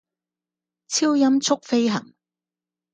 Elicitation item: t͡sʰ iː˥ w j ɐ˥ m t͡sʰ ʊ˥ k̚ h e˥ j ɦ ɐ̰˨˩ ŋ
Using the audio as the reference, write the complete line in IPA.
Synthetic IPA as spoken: t͡sʰ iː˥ w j ɐ˥ m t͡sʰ ʊ˥ k̚ f e˥ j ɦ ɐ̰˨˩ ŋ